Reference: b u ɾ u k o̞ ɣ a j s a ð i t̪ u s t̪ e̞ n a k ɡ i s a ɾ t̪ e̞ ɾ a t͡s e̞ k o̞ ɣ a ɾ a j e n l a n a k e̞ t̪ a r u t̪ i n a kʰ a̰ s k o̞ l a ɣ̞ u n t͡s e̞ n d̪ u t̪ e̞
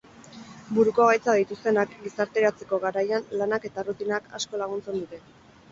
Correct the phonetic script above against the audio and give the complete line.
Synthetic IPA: b u ɾ u k o̞ ɣ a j t͡s a ð i t̪ u s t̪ e̞ n a k ɡ i s a ɾ t̪ e̞ ɾ a t͡s e̞ k o̞ ɣ a ɾ a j a n l a n a k e̞ t̪ a r u t̪ i n a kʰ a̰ s k o̞ l a ɣ̞ u n t͡s e̞ n d̪ u t̪ e̞